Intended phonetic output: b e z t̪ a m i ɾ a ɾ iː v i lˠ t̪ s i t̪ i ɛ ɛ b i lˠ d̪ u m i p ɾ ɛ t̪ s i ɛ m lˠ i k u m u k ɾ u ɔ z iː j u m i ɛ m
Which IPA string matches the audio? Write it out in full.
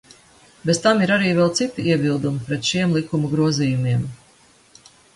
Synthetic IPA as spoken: b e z t̪ a m i ɾ a ɾ iː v ɛ lˠ t̪ s i t̪ i i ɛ b i lˠ d̪ u m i p ɾ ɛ t̪ ʃ i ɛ m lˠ i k u m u ɡ ɾ u ɔ z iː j u m i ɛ m